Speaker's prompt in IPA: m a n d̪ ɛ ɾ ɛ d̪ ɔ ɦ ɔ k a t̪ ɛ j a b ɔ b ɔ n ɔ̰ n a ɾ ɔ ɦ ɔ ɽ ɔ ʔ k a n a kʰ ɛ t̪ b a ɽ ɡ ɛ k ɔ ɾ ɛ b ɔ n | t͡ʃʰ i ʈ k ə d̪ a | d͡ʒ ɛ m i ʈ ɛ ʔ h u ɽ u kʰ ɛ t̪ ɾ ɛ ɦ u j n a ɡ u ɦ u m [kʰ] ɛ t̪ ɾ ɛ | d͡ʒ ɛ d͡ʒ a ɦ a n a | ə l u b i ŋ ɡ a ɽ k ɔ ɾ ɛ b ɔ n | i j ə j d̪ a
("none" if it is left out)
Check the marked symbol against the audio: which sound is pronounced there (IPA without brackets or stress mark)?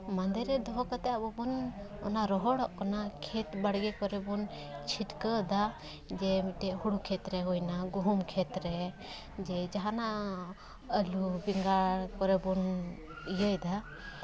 kʰ